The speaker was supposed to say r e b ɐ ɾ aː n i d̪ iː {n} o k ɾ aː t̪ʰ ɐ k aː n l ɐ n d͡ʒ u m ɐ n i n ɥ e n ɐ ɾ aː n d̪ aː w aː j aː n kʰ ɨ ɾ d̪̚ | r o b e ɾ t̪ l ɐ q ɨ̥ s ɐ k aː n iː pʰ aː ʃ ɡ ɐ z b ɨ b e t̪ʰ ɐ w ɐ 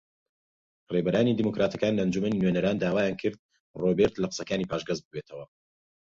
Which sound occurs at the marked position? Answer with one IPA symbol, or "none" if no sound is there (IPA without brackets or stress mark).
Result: m